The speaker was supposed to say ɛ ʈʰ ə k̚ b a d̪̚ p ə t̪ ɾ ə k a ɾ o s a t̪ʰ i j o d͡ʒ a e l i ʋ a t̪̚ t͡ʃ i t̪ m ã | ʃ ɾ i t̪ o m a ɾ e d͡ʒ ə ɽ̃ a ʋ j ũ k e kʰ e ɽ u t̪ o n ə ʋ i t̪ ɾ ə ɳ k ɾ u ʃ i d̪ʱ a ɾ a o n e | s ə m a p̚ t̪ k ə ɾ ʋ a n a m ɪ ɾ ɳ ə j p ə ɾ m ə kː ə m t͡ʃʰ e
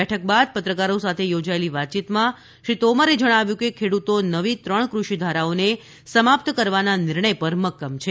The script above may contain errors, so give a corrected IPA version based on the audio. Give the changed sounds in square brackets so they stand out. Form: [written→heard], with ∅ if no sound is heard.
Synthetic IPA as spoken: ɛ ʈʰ ə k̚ b a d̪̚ p ə t̪ ɾ ə k a ɾ o s a t̪ʰ [i→e] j o d͡ʒ a e l i ʋ a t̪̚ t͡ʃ i t̪ m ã | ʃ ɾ i t̪ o m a ɾ e d͡ʒ ə ɽ̃ a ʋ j ũ k e kʰ e ɽ u t̪ o n ə ʋ i t̪ ɾ ə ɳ k ɾ u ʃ i d̪ʱ a ɾ a o n e | s ə m a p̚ t̪ k ə ɾ ʋ a n a [m→n] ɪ ɾ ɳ ə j p ə ɾ m ə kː ə m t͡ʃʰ e